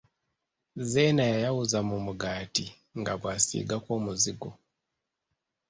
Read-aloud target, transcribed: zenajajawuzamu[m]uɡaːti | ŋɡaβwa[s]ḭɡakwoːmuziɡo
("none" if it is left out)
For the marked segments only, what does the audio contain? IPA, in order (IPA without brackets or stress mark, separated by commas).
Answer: m, s